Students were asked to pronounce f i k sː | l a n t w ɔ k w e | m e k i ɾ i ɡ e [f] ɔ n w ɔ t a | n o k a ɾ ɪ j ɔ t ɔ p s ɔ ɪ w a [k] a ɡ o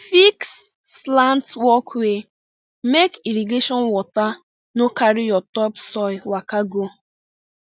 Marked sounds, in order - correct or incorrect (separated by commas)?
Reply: incorrect, correct